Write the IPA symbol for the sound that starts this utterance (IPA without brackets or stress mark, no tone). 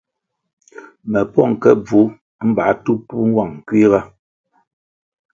m